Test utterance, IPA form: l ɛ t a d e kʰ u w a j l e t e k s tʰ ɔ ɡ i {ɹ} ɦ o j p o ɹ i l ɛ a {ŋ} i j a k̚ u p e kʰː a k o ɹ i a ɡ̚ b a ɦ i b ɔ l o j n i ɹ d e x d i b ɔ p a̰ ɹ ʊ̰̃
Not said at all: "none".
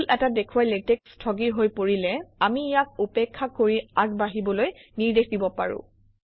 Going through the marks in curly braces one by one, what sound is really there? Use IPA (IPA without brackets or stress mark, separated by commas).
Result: ɹ, m